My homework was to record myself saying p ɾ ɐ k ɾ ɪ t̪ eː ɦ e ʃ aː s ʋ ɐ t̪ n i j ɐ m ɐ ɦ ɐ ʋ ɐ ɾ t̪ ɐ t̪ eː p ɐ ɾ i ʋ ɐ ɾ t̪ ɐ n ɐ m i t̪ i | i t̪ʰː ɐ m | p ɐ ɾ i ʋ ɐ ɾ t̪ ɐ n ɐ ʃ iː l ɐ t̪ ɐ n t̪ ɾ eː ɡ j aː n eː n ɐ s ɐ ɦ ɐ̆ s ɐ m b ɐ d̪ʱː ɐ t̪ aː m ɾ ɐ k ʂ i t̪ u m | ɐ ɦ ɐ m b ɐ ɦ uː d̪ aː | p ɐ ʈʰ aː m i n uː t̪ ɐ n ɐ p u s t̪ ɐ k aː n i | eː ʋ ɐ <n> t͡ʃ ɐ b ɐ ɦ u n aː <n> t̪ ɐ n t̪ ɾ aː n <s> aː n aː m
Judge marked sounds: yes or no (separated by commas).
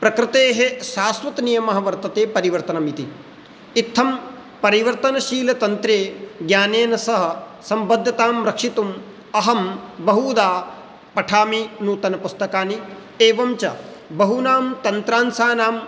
no, no, yes